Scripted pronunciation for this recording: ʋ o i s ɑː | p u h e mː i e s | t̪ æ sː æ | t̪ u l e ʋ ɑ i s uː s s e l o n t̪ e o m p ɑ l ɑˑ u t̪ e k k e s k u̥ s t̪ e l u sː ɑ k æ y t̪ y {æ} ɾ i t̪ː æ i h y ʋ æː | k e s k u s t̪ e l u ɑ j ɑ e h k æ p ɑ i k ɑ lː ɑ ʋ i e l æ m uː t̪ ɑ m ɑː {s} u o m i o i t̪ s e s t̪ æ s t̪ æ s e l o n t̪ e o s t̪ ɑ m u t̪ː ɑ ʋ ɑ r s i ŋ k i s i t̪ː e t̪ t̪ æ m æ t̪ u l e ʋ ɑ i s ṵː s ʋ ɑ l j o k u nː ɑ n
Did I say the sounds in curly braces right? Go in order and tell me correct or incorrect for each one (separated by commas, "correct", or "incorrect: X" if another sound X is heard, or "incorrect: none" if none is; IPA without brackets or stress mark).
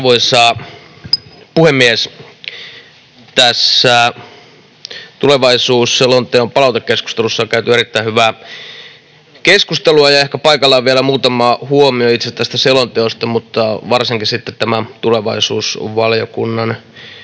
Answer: incorrect: e, incorrect: h